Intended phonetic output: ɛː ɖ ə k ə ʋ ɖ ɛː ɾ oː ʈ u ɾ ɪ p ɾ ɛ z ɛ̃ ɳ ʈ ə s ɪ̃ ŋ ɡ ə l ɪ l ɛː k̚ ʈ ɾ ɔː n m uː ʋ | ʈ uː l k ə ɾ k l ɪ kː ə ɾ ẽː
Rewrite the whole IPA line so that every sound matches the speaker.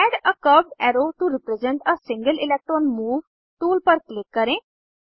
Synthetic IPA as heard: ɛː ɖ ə k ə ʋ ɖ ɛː ɾ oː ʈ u ɾ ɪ p ɾ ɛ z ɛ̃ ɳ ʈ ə s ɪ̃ ŋ ɡ ə l ɪ l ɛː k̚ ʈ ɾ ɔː n m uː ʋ | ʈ uː l p ə ɾ k l ɪ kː ə ɾ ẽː

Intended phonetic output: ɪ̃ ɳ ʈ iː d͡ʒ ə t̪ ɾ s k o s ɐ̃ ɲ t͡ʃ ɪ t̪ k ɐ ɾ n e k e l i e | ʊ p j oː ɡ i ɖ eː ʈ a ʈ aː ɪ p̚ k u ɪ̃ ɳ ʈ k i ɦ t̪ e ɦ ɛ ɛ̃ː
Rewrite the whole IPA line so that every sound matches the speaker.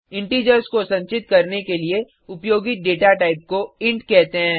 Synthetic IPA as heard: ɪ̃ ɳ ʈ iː d͡ʒ ə ɾ s k o s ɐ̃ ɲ t͡ʃ ɪ t̪ k ɐ ɾ n e k e l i e | ʊ p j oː ɡ i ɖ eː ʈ a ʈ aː ɪ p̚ k o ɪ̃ ɳ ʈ k ɛ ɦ t̪ e ɦ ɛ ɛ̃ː

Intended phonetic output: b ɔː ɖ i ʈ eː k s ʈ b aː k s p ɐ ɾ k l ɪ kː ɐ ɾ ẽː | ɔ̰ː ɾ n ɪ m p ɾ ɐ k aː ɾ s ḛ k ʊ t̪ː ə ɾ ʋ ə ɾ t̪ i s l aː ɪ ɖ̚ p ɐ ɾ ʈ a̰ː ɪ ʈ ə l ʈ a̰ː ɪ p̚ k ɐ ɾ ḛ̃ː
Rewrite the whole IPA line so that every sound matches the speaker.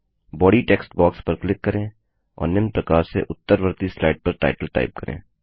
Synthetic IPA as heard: b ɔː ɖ i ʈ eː k s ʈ b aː k s p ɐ ɾ k l ɪ kː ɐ ɾ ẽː | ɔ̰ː ɾ n ɪ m p ɾ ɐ k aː ɾ s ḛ ʔ ʊ t̪ː ə ɾ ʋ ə ɾ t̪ i s l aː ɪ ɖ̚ p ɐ ɾ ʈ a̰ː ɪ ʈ ə l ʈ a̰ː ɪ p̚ k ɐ ɾ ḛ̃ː

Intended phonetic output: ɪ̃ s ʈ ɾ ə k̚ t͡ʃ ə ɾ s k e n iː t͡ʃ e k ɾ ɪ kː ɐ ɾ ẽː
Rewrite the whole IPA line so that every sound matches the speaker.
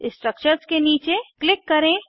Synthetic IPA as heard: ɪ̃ s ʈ ɾ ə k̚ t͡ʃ ə ɾ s k e n iː t͡ʃ e k l ɪ kː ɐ ɾ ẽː

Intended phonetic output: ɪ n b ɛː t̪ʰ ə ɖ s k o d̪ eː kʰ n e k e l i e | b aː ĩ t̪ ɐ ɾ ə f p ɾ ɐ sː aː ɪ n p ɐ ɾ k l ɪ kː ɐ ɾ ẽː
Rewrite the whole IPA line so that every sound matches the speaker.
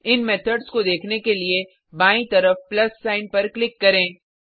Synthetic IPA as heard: ɪ n m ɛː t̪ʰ ə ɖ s k o d̪ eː kʰ n e k e l i e | b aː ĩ t̪ ɐ ɾ ə f p l ɐ sː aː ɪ n p ɐ ɾ k l ɪ kː ɐ ɾ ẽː

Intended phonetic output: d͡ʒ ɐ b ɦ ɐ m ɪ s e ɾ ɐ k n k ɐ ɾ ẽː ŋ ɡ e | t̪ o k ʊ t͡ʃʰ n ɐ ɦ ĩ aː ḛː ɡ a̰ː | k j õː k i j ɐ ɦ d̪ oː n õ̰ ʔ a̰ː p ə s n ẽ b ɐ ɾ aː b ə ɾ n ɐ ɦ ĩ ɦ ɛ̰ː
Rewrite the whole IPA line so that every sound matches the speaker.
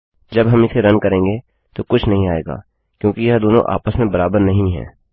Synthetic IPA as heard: d͡ʒ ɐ b ɦ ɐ m ɪ s e ɾ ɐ n k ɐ ɾ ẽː ŋ ɡ e | t̪ o k ʊ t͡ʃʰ n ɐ ɦ ĩ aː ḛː ɡ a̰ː | k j õː k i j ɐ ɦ d̪ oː n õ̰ ʔ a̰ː p ə s m ẽ b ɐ ɾ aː b ə ɾ n ɐ ɦ ĩ ɦ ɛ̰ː

